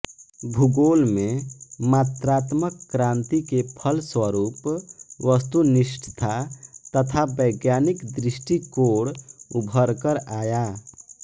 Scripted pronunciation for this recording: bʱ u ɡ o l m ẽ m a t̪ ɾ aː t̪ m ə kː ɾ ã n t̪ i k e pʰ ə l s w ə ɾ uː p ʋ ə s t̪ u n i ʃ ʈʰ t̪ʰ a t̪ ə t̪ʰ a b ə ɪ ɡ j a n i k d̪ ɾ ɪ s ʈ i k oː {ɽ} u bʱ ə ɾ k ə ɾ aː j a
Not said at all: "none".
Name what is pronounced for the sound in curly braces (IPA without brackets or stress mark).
ɽ